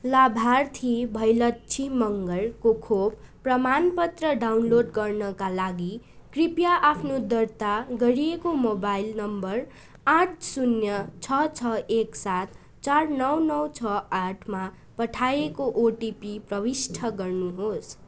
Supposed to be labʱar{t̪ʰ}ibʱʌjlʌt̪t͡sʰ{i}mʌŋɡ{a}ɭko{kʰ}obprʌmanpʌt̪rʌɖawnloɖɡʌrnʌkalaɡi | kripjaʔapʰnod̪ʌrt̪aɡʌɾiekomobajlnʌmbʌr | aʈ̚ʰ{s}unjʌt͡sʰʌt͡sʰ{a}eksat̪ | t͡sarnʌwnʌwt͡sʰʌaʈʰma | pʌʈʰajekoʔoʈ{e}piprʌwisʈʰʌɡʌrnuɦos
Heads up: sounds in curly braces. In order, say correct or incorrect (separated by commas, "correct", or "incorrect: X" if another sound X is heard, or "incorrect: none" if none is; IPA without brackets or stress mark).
correct, correct, incorrect: ʌ, correct, correct, incorrect: ʌ, incorrect: i